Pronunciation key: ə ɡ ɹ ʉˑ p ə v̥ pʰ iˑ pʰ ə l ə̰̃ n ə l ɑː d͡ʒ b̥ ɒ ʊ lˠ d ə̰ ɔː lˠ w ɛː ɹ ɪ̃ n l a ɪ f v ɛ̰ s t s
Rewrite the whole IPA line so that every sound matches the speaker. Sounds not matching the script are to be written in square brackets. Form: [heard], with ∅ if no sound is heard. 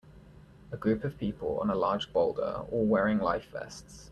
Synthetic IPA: ə ɡ ɹ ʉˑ p ə v̥ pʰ iˑ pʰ ə l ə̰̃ n ə l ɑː d͡ʒ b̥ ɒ ʊ lˠ d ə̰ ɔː lˠ w ɛː ɹ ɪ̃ [ŋ] l a ɪ f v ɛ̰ s t s